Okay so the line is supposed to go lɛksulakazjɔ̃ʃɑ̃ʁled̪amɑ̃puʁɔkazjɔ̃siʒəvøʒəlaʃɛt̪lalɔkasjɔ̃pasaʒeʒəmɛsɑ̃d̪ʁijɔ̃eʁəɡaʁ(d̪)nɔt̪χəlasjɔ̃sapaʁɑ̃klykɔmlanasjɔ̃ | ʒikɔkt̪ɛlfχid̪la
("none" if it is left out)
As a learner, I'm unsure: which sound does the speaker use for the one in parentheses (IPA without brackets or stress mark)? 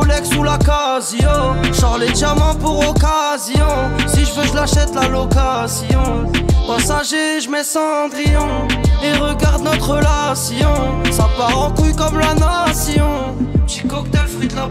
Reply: d̪